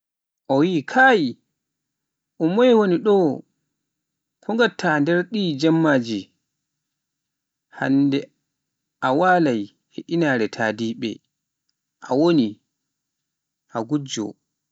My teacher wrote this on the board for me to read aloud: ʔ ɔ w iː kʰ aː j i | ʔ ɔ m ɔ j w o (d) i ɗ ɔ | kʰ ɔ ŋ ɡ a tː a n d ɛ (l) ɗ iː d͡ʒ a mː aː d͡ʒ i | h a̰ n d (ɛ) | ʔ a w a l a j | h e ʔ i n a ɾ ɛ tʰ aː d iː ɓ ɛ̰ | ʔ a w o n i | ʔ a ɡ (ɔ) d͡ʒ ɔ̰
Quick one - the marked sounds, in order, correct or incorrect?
incorrect, incorrect, correct, incorrect

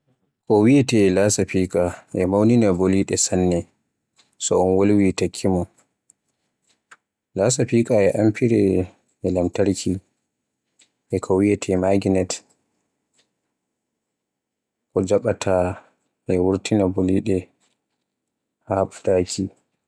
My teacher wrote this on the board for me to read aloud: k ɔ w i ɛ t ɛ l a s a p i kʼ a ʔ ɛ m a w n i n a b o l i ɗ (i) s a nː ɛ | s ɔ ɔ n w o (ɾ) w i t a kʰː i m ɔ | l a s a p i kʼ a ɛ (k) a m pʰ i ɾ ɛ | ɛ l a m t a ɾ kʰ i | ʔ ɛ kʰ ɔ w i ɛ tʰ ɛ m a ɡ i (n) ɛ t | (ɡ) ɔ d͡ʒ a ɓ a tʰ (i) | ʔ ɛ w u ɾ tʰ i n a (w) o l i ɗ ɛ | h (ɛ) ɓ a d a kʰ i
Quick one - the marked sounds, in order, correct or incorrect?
incorrect, incorrect, incorrect, correct, incorrect, incorrect, incorrect, incorrect

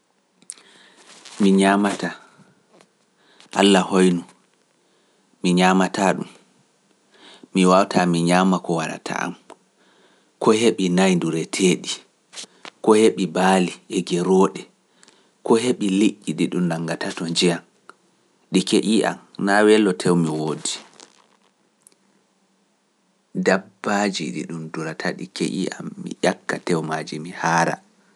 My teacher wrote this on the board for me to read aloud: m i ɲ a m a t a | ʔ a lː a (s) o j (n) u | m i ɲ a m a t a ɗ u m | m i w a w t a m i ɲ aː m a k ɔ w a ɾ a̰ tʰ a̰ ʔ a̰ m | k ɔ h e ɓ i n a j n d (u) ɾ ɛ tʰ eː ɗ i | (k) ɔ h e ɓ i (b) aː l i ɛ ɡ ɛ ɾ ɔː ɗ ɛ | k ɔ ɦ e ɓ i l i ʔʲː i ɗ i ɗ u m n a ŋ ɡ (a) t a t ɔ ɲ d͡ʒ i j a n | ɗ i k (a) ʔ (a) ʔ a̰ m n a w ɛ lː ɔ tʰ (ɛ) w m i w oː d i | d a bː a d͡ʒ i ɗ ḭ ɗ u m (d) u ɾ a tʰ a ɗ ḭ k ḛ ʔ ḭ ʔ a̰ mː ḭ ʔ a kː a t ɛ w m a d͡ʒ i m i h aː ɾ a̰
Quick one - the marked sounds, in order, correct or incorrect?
incorrect, correct, correct, correct, correct, correct, incorrect, incorrect, correct, correct

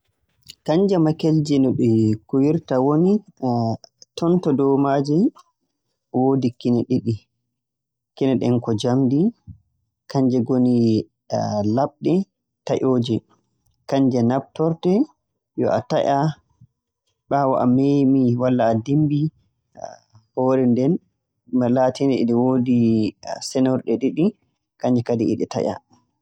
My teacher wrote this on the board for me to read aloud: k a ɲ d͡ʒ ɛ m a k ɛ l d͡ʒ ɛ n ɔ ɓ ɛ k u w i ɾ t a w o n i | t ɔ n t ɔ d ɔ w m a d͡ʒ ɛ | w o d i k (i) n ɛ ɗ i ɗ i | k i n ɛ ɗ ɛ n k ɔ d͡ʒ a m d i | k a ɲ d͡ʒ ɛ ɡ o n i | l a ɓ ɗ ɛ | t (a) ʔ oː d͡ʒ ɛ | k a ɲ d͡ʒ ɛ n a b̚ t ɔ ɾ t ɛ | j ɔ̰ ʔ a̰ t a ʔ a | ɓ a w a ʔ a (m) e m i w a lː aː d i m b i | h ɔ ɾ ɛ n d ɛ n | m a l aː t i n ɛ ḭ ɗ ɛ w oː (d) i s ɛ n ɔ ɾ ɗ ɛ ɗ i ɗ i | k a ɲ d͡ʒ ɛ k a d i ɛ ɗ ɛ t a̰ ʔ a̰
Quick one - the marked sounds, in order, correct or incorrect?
correct, correct, correct, correct

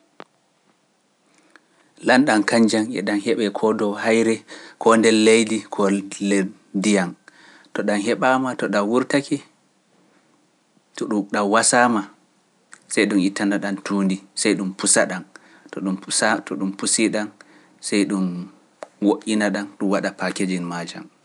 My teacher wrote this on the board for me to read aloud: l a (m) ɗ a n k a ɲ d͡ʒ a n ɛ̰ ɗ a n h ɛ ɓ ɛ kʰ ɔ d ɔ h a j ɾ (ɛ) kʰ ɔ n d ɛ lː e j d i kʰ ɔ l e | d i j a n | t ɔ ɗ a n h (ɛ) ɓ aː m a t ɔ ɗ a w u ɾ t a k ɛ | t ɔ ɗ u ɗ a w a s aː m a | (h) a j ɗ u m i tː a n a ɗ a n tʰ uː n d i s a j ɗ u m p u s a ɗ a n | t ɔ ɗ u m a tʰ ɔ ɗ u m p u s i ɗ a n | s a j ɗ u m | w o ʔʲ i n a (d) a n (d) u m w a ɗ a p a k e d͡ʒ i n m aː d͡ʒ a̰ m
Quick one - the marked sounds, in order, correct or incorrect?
incorrect, correct, correct, incorrect, incorrect, incorrect

